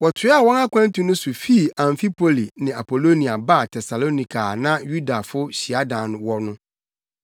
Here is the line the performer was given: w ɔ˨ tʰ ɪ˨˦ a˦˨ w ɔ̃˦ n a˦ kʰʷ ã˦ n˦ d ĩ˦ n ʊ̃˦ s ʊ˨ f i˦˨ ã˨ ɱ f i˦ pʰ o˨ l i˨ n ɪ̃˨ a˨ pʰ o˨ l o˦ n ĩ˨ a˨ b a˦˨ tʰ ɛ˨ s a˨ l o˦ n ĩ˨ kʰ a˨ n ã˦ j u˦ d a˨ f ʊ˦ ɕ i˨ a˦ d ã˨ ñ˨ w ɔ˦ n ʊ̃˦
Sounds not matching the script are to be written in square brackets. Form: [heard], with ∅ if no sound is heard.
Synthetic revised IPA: w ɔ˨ tʰ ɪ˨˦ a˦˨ w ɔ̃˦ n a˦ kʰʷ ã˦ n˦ [t] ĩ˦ n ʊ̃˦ s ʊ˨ f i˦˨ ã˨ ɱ f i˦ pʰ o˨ l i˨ n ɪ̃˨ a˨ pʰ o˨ l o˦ n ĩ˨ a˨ b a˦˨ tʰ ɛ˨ s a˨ l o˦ n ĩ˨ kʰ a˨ n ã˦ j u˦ d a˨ f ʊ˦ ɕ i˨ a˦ d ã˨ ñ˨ w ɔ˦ n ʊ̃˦